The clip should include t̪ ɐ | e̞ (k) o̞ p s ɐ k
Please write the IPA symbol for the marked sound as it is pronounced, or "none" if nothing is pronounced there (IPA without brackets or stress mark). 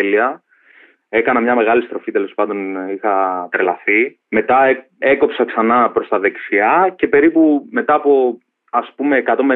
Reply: k